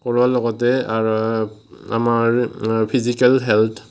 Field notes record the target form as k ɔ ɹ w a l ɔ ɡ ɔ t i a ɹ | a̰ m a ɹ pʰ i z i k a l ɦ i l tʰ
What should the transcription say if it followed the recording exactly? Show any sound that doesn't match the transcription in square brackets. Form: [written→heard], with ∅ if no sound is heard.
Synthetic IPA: k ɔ ɹ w a l ɔ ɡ ɔ t [i→ɛ] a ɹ | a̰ m a ɹ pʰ i z i k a l ɦ [i→ɛ] l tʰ